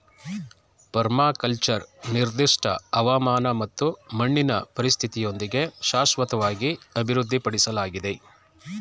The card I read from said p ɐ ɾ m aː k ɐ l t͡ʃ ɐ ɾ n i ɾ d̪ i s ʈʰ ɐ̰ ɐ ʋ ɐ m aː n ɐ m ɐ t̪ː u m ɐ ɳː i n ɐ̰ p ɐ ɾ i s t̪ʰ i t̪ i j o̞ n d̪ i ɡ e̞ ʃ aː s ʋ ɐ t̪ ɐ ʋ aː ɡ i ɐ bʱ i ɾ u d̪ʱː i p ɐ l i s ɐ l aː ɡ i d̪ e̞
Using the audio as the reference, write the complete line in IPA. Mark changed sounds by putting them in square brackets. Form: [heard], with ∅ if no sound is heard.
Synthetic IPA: p ɐ ɾ m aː k ɐ l t͡ʃ ɐ ɾ n i ɾ d̪ i [ʂ] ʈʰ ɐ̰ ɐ ʋ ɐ m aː n ɐ m ɐ t̪ː u m ɐ ɳː i n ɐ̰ p ɐ ɾ i s t̪ʰ i t̪ i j o̞ n d̪ i ɡ e̞ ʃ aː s ʋ ɐ t̪ ɐ ʋ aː ɡ i ɐ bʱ i ɾ u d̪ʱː i p ɐ [ɽ] i s ɐ l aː ɡ i d̪ e̞